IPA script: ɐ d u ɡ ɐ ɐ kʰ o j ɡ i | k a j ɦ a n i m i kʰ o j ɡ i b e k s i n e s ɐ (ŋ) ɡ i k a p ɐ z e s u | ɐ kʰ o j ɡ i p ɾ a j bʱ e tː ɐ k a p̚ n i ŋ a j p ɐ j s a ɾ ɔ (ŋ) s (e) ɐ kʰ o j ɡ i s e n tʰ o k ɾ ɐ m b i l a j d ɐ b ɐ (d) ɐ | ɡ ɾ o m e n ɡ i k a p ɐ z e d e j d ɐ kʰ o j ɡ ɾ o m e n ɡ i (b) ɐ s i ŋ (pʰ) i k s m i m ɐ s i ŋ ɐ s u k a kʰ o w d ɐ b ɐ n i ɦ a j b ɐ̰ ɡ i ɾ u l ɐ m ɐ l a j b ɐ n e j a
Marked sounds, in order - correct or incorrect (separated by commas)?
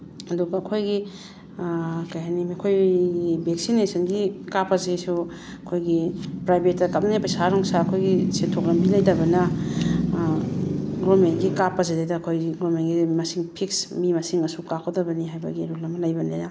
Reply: incorrect, correct, incorrect, incorrect, incorrect, correct